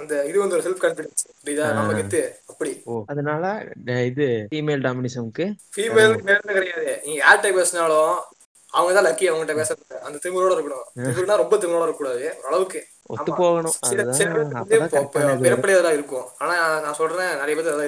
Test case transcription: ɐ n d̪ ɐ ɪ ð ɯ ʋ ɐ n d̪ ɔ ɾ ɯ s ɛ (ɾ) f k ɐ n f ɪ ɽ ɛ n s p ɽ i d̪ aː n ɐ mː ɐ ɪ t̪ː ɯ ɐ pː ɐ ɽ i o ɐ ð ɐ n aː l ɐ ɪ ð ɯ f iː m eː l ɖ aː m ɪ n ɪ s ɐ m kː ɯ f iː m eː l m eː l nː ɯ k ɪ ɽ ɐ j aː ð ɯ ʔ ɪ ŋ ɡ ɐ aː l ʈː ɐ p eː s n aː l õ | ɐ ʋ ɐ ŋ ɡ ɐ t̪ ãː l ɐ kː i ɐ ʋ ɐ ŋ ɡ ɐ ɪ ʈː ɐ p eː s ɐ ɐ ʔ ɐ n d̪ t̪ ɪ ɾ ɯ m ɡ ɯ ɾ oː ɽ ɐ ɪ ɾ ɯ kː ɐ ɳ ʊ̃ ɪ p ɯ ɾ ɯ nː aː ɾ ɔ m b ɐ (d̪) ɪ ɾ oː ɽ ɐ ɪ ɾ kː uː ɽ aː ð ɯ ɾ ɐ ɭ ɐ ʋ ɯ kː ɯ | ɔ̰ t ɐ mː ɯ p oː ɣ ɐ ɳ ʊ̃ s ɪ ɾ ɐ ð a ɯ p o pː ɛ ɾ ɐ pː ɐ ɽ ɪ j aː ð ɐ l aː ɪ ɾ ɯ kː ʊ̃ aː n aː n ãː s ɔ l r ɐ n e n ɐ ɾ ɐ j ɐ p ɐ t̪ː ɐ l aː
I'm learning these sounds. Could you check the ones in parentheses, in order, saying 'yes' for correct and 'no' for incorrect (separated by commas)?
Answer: no, no